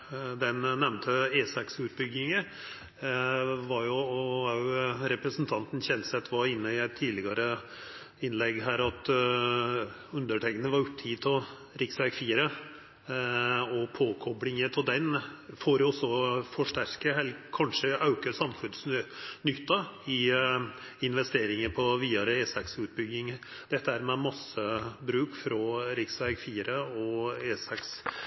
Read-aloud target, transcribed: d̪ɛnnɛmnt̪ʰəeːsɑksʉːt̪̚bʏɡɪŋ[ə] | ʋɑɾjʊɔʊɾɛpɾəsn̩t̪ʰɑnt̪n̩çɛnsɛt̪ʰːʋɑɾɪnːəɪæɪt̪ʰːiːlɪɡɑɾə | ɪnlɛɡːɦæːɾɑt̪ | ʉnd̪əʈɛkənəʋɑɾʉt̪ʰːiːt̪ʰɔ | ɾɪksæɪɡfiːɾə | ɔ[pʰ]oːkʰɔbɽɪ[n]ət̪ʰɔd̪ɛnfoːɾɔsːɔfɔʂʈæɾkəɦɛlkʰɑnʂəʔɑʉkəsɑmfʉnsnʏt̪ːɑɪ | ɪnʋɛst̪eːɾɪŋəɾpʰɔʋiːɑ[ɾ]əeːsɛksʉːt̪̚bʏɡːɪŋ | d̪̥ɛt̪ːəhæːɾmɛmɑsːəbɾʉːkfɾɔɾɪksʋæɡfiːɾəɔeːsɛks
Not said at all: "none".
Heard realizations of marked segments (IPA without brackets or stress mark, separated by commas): ə, pʰ, ŋ, ɾ